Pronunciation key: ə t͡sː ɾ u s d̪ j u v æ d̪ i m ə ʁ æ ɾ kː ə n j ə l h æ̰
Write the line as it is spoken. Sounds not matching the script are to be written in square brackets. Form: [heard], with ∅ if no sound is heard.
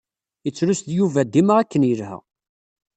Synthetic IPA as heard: ə t͡sː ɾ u s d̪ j u v æ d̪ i m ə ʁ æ [∅] kː ə n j ə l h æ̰